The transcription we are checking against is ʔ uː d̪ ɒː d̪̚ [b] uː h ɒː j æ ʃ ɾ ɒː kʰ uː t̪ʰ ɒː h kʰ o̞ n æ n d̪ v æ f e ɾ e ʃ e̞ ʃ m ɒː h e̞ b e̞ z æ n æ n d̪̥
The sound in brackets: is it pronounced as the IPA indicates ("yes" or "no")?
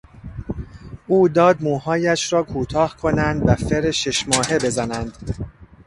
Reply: no